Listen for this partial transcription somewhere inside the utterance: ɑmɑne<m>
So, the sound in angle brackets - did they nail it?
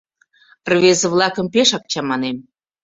yes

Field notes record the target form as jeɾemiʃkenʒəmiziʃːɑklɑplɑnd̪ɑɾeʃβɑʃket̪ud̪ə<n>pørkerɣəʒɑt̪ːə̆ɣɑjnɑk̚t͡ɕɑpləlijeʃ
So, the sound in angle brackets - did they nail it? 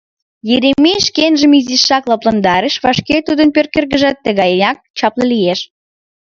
yes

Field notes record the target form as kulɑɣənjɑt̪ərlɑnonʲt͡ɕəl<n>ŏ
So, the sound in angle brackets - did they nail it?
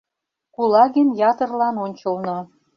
yes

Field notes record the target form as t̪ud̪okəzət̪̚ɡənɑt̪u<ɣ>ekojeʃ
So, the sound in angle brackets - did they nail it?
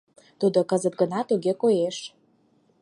yes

